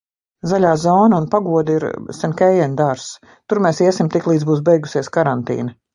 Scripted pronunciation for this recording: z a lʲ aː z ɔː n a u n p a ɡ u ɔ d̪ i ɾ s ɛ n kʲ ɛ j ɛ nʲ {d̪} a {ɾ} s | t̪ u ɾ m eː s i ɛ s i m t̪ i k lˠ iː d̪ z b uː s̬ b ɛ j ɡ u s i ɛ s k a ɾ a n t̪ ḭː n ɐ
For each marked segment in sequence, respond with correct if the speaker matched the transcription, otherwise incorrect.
correct, correct

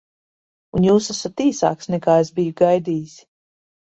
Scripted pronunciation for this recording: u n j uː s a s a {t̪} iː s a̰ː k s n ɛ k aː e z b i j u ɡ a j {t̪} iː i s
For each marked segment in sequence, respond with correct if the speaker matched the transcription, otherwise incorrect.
correct, incorrect: d̪

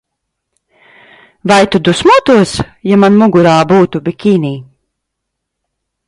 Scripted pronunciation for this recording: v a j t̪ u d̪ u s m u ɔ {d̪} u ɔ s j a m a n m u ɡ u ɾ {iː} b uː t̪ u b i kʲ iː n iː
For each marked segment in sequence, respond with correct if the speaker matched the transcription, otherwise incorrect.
incorrect: t̪, incorrect: aː

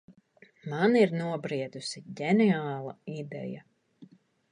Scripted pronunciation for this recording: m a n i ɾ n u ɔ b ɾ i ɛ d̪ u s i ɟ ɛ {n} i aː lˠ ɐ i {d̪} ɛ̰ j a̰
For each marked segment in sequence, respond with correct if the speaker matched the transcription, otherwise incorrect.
correct, correct

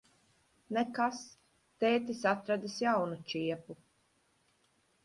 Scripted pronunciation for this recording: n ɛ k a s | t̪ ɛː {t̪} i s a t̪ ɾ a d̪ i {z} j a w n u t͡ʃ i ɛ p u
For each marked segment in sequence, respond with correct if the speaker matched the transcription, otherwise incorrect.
correct, incorrect: s

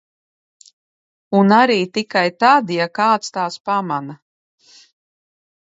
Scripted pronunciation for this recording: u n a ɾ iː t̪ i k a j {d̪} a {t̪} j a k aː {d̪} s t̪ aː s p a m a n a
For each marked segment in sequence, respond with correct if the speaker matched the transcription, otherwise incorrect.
incorrect: t̪, incorrect: d̪, incorrect: t̪

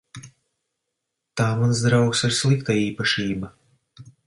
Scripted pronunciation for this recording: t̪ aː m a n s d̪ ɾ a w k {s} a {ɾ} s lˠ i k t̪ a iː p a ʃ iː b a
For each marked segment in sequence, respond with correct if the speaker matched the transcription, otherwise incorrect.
correct, correct

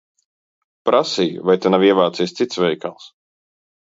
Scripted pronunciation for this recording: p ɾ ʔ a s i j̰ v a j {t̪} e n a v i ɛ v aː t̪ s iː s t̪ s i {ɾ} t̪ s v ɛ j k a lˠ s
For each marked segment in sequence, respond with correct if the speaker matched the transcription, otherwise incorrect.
correct, incorrect: none

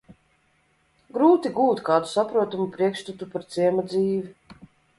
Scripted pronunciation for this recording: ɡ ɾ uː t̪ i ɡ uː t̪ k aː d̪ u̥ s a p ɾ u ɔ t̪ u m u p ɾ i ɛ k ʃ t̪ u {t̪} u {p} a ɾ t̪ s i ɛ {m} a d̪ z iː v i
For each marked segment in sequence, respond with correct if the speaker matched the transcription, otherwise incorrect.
correct, correct, correct

